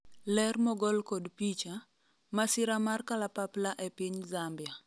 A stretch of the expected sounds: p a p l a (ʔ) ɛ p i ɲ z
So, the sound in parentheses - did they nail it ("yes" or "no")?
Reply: yes